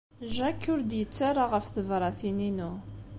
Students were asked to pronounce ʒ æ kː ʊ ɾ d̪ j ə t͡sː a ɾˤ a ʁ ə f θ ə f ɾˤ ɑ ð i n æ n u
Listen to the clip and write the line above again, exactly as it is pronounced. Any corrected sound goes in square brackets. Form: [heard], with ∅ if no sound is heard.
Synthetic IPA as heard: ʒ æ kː ʊ ɾ d̪ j ə t͡sː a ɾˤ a ʁ ə f θ ə [v] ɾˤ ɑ [θ] i n [i] n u